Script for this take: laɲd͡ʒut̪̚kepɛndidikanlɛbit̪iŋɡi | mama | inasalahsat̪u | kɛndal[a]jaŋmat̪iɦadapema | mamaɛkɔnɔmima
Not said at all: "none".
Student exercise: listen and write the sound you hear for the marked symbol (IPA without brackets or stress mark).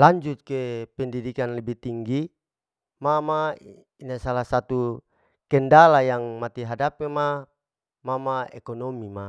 a